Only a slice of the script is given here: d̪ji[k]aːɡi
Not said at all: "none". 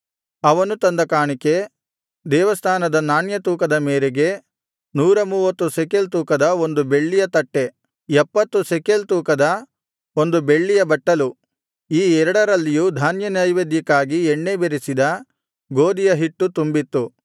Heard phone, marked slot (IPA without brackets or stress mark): k